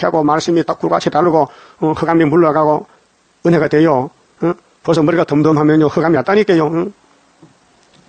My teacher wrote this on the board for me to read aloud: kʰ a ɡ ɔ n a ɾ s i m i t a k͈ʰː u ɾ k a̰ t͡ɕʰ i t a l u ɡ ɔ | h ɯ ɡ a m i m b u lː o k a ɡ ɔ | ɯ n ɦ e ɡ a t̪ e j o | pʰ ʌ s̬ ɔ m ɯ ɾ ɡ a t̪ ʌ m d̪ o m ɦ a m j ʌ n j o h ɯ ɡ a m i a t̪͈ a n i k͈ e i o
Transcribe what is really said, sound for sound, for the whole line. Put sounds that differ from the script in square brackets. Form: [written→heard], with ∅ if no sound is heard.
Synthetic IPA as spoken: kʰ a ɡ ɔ [n→m] a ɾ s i m i t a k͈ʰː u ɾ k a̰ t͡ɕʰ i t a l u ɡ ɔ | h ɯ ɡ a m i m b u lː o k a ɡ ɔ | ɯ n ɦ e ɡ a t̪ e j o | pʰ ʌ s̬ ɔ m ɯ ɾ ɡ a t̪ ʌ m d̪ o m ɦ a m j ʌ n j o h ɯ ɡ a m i a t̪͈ a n i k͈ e [i→j] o